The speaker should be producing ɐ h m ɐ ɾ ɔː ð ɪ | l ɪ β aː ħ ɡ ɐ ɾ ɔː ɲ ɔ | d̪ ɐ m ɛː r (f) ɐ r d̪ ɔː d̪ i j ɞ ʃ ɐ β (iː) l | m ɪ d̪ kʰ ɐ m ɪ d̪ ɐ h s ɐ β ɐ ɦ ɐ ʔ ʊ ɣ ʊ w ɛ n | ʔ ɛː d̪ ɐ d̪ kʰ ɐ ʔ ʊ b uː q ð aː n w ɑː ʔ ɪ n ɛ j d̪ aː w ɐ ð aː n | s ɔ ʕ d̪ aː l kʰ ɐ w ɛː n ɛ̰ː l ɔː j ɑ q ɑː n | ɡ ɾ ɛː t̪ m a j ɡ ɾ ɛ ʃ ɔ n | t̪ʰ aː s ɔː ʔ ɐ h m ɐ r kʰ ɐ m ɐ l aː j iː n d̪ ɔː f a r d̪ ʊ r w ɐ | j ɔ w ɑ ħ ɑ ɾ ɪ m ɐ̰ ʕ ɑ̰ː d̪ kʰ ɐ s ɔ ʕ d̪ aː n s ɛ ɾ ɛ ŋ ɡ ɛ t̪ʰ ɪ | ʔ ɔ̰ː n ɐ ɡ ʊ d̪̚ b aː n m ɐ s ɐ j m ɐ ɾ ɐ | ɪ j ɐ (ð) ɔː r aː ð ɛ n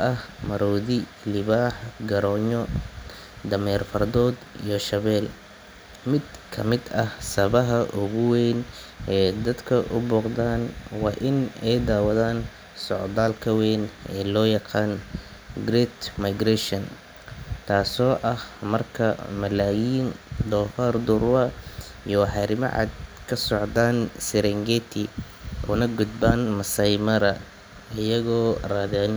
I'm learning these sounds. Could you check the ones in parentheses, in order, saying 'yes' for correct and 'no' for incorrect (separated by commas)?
yes, no, no